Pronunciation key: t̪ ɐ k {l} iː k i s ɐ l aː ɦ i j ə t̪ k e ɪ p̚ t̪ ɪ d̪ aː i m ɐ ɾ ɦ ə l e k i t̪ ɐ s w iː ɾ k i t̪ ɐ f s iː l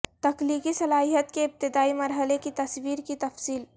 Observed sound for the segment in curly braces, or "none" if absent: l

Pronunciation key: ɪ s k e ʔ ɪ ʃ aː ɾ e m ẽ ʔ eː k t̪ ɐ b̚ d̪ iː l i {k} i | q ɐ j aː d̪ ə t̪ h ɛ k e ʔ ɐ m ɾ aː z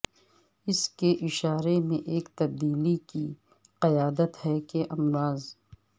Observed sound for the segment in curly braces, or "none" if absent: k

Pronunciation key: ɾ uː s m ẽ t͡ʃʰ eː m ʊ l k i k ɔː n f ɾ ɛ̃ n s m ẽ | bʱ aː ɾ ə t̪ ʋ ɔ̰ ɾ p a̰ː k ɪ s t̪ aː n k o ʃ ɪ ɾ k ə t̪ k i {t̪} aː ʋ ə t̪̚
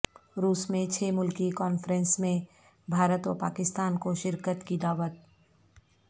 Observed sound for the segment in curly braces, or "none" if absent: d̪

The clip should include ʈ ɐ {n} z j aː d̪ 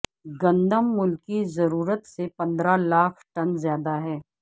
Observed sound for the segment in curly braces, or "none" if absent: n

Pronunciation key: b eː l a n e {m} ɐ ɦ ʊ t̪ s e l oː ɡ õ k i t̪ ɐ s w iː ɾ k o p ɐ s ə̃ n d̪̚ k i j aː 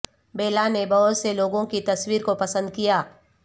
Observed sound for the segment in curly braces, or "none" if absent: b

